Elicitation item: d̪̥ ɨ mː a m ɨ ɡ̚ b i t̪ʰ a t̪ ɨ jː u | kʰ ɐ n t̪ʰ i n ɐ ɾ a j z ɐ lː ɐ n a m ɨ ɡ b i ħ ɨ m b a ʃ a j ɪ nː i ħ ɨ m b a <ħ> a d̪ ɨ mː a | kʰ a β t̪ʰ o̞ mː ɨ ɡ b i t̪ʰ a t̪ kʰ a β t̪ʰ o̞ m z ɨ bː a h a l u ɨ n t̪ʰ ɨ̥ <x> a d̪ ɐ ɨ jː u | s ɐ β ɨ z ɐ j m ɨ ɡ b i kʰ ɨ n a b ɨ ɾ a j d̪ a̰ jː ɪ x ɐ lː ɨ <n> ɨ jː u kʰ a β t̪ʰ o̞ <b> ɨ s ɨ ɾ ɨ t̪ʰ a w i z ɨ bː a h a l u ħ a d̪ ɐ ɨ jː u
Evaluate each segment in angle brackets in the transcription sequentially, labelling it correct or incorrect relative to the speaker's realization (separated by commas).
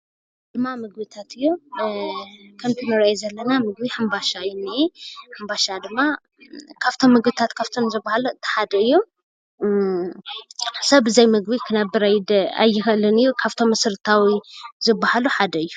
incorrect, incorrect, correct, incorrect